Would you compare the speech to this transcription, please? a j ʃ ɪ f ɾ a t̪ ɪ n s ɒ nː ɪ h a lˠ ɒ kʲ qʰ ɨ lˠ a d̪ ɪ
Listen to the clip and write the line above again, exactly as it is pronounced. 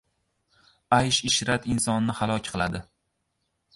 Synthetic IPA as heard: a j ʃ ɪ ʃ ɾ a t̪ ɪ n s ɒ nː ɪ h a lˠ ɒ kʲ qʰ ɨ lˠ a d̪ ɪ